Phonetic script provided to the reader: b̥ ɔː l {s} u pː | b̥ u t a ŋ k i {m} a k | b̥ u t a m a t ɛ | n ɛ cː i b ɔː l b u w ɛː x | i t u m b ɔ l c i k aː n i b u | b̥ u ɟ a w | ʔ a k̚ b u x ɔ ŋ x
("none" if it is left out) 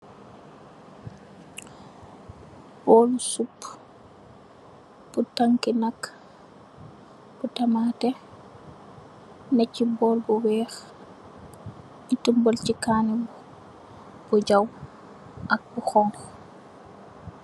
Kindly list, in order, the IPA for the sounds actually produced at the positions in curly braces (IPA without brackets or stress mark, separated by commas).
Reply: s, n